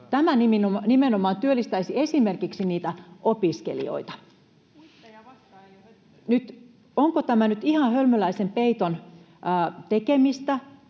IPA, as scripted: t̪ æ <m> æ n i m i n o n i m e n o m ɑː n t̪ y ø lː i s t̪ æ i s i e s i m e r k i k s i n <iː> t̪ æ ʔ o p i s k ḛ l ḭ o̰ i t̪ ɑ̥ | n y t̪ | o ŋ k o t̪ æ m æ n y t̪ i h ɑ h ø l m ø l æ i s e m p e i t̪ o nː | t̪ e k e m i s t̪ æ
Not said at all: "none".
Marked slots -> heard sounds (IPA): m, iː

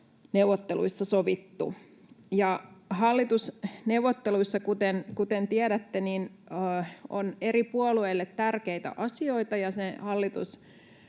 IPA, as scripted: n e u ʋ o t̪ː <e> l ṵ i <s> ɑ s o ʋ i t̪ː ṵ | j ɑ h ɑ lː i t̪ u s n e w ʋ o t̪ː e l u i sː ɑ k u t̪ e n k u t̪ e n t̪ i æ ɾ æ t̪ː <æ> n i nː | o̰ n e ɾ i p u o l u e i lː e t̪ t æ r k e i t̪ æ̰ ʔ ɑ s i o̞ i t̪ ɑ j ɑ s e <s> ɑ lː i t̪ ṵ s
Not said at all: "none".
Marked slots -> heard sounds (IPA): e, sː, e, h

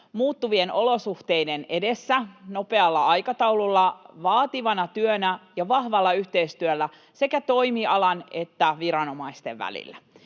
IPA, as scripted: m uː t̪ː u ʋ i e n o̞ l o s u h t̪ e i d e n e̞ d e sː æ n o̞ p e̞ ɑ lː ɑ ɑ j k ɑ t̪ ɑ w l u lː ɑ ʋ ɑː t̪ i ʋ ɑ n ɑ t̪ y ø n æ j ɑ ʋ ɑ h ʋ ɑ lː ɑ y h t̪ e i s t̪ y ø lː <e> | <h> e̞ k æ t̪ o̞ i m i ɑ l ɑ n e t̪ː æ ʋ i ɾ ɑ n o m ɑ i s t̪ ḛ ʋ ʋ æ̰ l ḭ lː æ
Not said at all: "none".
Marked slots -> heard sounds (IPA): æ, s

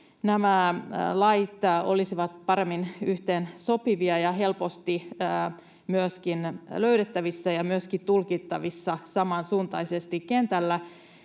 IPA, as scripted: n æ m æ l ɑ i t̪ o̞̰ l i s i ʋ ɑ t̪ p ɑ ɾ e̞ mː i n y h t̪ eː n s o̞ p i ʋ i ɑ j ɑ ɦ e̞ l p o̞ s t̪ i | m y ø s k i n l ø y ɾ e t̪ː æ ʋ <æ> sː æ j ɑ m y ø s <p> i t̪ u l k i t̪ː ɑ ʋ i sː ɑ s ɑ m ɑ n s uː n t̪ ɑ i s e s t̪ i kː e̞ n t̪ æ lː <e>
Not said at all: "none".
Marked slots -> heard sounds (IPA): i, k, æ

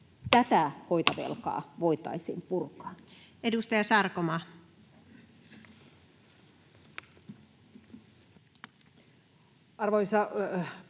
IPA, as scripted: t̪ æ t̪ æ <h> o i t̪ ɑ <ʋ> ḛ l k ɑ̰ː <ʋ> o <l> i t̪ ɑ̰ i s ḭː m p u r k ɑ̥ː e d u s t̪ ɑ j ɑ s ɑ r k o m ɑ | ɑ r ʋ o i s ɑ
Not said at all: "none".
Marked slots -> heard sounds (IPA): h, ʋ, ʋ, none

